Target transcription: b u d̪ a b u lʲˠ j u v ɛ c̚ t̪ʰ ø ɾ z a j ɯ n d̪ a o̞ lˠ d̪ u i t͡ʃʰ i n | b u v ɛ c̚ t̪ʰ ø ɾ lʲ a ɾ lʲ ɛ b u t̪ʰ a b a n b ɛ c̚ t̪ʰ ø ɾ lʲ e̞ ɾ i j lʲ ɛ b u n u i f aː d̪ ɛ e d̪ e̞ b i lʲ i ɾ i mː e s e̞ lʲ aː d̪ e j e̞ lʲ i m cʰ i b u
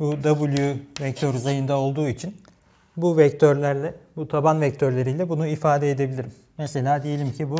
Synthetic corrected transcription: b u d̪ a b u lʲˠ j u v ɛ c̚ t̪ʰ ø ɾ z a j ɯ n d̪ a o̞ lˠ d̪ uː i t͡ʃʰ i n | b u v ɛ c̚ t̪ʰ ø ɾ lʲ æ ɾ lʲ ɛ b u t̪ʰ a b a n v ɛ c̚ t̪ʰ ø ɾ lʲ e̞ ɾ i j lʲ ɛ b u n u i f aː d̪ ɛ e d̪ e̞ b i lʲ i ɾ i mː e s e̞ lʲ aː d̪ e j e̞ lʲ i m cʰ i b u